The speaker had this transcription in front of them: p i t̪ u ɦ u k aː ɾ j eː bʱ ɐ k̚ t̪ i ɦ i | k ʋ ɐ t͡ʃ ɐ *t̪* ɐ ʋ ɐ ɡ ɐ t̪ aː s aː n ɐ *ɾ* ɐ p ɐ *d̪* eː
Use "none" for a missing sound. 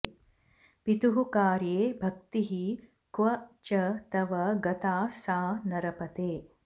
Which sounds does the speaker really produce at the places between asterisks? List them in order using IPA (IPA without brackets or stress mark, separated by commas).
t̪, ɾ, t̪